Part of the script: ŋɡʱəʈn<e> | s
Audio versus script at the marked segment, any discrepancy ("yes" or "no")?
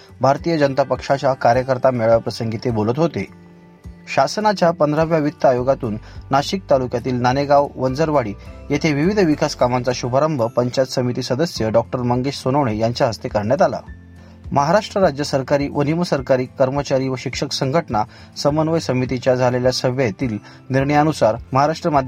yes